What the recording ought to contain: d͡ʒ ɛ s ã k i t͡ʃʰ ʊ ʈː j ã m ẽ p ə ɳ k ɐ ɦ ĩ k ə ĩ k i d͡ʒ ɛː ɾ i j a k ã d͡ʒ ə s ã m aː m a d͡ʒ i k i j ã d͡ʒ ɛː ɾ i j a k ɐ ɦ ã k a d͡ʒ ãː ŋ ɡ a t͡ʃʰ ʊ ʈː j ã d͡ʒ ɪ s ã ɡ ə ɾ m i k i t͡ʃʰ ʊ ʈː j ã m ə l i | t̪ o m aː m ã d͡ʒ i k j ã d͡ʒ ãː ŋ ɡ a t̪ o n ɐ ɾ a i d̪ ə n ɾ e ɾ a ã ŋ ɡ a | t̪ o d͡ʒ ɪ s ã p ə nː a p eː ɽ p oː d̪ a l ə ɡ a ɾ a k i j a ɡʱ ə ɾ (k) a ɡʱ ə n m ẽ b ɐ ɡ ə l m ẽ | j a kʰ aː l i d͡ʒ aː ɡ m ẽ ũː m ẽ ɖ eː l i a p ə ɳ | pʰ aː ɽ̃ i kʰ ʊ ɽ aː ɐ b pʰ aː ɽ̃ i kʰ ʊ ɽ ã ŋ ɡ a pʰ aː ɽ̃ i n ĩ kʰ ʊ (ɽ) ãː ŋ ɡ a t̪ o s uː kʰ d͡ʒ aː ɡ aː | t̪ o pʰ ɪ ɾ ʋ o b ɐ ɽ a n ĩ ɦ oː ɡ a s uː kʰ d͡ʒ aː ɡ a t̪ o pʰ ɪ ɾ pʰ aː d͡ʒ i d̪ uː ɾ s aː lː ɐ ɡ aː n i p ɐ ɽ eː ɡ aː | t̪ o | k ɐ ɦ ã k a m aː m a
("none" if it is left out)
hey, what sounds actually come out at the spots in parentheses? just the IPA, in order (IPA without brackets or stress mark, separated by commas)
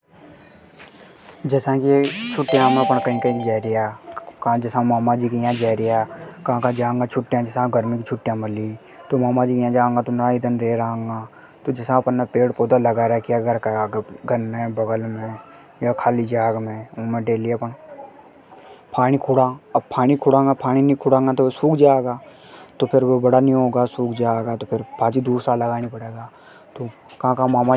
k, ɽ